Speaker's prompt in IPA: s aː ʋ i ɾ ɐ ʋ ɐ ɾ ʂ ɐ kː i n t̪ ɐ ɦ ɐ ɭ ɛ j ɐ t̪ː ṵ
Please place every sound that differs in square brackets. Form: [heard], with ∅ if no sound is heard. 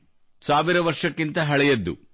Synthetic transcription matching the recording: s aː ʋ i ɾ ɐ ʋ ɐ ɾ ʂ ɐ kː i n t̪ ɐ ɦ ɐ ɭ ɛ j ɐ [d̪ː] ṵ